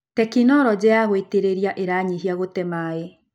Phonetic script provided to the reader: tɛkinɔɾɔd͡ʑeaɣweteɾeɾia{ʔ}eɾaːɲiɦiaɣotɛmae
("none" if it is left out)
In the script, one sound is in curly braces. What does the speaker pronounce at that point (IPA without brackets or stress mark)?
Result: ʔ